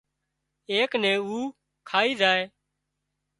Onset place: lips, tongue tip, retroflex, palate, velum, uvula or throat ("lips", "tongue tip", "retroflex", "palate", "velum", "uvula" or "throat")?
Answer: velum